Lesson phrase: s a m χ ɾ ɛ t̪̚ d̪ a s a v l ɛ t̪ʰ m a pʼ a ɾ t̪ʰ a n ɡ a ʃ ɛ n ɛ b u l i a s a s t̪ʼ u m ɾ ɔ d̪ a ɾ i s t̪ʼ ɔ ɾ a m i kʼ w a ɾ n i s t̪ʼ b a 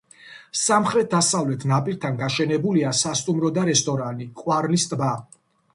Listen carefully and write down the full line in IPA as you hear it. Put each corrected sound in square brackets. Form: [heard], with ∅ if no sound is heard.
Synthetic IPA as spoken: s a m χ ɾ ɛ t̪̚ d̪ a s a v l ɛ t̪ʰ [n] a pʼ [i] ɾ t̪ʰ a n ɡ a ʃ ɛ n ɛ b u l i a s a s t̪ʼ u m ɾ ɔ d̪ a ɾ [ɛ] s t̪ʼ ɔ ɾ a [n] i kʼ w a ɾ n i s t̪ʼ b a